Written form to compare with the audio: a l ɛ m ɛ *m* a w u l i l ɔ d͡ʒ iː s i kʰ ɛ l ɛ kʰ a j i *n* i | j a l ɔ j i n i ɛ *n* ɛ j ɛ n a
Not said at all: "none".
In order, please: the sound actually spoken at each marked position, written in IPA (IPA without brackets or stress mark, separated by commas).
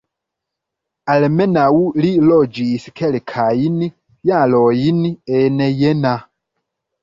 n, n, n